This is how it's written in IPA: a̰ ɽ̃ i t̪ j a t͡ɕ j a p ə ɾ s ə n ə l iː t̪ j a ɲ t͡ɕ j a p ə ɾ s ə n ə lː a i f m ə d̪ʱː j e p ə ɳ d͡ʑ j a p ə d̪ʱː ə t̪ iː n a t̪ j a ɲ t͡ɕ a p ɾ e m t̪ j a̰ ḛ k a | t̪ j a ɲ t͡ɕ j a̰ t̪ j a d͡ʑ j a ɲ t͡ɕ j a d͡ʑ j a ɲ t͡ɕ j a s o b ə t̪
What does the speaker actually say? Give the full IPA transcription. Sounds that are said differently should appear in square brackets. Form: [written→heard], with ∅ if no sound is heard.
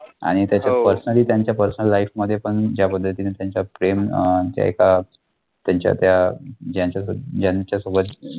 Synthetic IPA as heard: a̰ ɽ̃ i t̪ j a t͡ɕ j a p ə ɾ s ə n ə l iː t̪ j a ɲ t͡ɕ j a p ə ɾ s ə n ə lː a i f m ə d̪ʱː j e p ə ɳ d͡ʑ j a p ə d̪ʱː ə t̪ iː n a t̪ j a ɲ t͡ɕ a p ɾ e m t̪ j a̰ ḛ k a | t̪ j a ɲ t͡ɕ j a̰ t̪ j a d͡ʑ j a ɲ t͡ɕ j a d͡ʑ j a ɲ t͡ɕ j a s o b ə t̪

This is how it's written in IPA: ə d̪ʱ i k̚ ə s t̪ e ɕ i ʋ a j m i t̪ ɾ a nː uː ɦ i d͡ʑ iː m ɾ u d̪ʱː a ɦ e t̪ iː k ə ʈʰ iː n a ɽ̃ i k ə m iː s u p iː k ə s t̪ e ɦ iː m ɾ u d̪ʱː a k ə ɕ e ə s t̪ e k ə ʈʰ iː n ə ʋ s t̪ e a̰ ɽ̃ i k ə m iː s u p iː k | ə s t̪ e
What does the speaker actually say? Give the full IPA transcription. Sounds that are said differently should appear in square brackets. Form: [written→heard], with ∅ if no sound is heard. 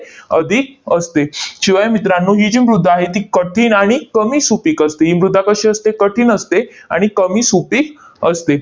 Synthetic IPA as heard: ə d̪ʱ i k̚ ə s t̪ e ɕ i ʋ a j m i t̪ ɾ a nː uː ɦ i d͡ʑ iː m ɾ u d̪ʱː a ɦ e t̪ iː k ə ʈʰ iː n a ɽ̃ i k ə m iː s u p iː k ə s t̪ e ɦ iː m ɾ u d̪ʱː a k ə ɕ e ə s t̪ e k ə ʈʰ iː n ə [ʋ→∅] s t̪ e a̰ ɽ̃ i k ə m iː s u p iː k | ə s t̪ e

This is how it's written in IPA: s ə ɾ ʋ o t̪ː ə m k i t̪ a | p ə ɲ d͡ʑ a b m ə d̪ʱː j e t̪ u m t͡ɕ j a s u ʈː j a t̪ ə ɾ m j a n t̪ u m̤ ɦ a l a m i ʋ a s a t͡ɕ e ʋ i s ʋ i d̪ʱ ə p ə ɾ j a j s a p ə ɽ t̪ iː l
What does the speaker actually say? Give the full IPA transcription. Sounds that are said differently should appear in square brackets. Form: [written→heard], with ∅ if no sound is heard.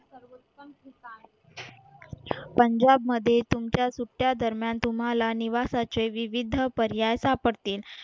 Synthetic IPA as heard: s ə ɾ ʋ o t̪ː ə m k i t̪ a | p ə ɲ d͡ʑ a b m ə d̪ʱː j e t̪ u m t͡ɕ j a s u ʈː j a [t̪→d̪] ə ɾ m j a n t̪ u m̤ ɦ a l a [m→n] i ʋ a s a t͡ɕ e ʋ i [s→∅] ʋ i d̪ʱ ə p ə ɾ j a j s a p ə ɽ t̪ iː l

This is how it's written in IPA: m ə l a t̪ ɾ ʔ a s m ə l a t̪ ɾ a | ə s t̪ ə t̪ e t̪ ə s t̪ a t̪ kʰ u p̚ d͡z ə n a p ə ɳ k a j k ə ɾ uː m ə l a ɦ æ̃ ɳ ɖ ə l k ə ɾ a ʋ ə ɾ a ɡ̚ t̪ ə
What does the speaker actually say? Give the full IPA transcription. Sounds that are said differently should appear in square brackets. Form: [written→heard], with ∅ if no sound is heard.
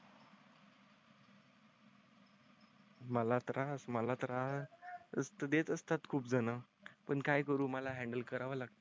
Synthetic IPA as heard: m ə l a t̪ ɾ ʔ a s m ə l a t̪ ɾ a | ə s t̪ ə [t̪→d̪] e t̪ ə s t̪ a t̪ kʰ [u→uː] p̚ d͡z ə n a p ə ɳ k a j k ə ɾ uː m ə l a ɦ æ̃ ɳ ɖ ə l k ə ɾ a ʋ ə [ɾ→l] a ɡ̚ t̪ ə

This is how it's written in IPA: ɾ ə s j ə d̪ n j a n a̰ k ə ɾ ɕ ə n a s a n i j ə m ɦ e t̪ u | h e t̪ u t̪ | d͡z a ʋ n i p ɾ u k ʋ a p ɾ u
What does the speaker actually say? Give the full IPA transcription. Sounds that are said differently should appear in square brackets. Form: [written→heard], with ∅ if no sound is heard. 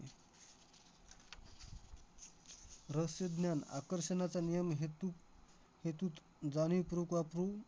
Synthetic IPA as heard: ɾ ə s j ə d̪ n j a n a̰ k ə ɾ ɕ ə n a [s→t͡s] a n i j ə m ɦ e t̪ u | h e t̪ u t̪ | d͡z a [ʋ→∅] n i p ɾ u k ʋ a p ɾ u

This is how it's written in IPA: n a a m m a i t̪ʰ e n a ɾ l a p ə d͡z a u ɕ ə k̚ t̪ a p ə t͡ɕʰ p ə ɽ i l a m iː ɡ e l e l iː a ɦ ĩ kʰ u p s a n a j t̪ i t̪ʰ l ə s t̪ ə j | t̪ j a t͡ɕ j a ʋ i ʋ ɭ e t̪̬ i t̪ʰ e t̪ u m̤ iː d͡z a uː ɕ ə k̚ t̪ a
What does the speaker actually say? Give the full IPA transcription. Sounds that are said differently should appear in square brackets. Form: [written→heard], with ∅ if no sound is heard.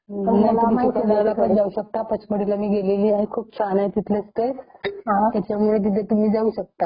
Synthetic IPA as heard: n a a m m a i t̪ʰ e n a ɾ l a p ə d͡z a u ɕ ə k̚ t̪ a p ə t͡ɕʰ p ə ɽ i l a m iː ɡ e l e l iː a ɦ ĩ kʰ [u→uː] p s a n a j t̪ i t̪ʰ l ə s t̪ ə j | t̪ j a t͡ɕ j a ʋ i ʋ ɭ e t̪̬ i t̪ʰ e t̪ u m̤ iː d͡z a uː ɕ ə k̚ t̪ a

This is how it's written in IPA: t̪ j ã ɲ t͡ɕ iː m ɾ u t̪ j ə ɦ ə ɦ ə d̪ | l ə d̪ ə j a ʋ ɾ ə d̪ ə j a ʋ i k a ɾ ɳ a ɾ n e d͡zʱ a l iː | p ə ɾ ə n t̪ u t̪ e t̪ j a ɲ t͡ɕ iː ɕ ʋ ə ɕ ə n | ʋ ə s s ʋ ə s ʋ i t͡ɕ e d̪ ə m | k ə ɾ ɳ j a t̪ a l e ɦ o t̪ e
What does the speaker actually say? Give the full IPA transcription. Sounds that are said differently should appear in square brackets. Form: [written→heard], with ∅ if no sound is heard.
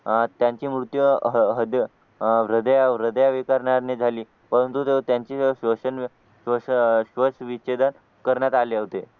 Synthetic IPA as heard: t̪ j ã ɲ t͡ɕ iː m ɾ u t̪ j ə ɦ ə ɦ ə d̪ | [l→ɾ] ə d̪ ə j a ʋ ɾ ə d̪ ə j a ʋ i k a ɾ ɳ a ɾ n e d͡zʱ a l iː | p ə ɾ ə n t̪ u t̪ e t̪ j a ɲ t͡ɕ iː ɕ ʋ ə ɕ ə n | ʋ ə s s ʋ ə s ʋ i t͡ɕ e d̪ ə [m→n] | k ə ɾ ɳ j a t̪ a l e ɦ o t̪ e

